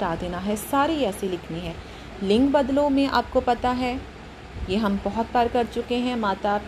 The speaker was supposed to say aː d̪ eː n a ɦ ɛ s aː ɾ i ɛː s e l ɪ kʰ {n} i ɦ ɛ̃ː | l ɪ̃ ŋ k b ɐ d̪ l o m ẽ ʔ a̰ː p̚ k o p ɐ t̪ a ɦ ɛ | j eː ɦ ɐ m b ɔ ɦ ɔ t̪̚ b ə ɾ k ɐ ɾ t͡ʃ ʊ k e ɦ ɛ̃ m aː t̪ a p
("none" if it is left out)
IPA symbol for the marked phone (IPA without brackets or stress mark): n